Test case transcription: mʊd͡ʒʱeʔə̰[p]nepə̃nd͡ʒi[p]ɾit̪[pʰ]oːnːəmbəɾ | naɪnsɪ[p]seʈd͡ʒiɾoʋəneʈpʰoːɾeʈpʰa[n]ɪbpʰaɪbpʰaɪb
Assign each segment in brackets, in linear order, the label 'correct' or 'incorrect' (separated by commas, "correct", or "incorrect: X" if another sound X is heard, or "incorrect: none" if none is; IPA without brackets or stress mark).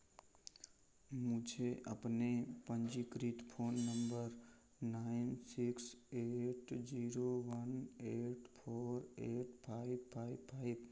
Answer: correct, incorrect: k, correct, incorrect: k, incorrect: none